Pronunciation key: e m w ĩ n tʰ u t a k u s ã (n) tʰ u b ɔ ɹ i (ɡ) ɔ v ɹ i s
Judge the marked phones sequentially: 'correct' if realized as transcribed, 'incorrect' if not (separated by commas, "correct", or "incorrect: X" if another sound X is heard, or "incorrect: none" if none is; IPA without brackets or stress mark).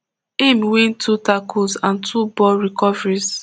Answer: correct, incorrect: k